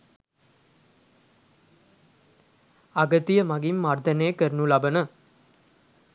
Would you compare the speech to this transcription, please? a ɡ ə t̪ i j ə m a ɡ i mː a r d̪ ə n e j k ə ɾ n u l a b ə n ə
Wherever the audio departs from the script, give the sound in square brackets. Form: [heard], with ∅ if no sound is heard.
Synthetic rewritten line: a ɡ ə t̪ i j ə m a ɡ i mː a r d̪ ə n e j k ə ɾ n u l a b ə n ə